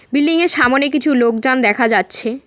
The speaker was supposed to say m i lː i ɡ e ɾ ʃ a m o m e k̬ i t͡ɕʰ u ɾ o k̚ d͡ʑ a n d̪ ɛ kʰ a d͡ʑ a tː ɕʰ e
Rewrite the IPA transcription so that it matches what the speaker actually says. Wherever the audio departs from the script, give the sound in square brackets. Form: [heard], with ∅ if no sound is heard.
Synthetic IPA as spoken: [b] i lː i [ŋ] e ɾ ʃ a m o [n] e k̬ i t͡ɕʰ u [l] o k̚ d͡ʑ a n d̪ ɛ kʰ a d͡ʑ a tː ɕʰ e